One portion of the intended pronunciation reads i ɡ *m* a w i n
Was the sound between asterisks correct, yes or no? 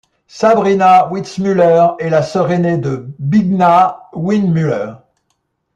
no